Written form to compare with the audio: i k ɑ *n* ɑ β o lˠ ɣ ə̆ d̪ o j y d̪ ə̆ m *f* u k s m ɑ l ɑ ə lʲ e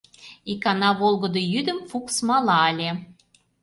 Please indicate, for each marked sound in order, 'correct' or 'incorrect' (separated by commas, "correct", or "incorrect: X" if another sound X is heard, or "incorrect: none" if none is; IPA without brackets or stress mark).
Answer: correct, correct